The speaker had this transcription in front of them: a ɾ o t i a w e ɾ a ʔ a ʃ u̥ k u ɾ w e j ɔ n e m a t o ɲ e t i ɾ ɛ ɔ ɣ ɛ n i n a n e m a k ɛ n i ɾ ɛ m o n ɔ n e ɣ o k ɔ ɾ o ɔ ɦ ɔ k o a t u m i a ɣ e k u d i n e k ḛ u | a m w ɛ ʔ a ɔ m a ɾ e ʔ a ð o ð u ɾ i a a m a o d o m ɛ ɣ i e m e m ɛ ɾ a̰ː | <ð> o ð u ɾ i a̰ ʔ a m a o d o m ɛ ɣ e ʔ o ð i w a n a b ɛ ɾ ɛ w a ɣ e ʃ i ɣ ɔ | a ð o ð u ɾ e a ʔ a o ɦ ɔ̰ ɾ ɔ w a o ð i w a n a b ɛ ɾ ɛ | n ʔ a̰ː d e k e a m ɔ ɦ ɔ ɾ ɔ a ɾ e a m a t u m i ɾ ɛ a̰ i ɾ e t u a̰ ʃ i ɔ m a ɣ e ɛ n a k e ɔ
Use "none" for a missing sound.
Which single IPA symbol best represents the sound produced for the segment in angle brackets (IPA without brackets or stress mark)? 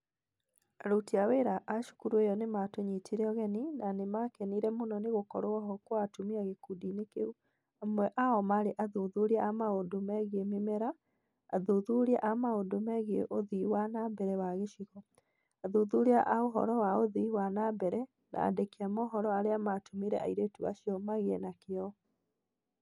ð